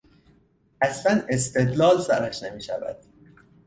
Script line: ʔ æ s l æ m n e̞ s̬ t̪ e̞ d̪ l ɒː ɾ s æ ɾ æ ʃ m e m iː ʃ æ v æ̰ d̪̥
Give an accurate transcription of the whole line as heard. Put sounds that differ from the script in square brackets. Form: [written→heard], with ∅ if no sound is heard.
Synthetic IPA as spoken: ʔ æ s l æ [m→∅] n e̞ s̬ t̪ e̞ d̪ l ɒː [ɾ→l] s æ ɾ æ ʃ [m→n] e m iː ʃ æ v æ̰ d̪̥